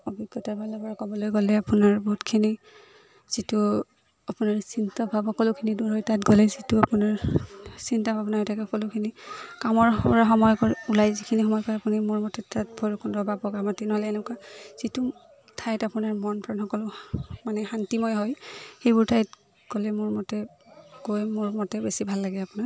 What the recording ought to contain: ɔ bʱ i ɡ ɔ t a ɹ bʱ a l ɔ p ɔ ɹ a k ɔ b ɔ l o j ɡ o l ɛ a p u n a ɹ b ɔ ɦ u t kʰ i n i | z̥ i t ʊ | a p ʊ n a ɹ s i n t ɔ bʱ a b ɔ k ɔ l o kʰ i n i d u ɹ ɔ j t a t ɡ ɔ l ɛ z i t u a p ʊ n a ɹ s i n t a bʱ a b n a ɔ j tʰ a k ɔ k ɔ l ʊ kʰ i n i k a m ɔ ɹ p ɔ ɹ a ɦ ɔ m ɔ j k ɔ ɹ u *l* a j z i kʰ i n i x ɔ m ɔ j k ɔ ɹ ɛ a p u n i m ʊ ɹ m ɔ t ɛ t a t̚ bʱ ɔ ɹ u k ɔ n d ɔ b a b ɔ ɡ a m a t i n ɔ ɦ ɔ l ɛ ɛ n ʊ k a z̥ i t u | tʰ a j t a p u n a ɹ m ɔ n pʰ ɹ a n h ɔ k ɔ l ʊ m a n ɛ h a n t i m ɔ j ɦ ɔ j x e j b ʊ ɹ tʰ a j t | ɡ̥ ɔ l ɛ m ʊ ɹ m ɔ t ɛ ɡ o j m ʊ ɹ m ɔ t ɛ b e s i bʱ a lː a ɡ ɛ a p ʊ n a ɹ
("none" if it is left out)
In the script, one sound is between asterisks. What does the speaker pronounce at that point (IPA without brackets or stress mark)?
l